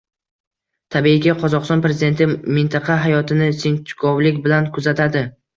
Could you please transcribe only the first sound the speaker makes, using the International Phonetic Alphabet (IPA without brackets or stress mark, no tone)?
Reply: t̪ʰ